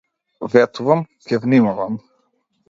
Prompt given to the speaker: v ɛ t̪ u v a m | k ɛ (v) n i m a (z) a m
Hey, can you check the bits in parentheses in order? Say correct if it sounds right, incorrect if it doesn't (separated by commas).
correct, incorrect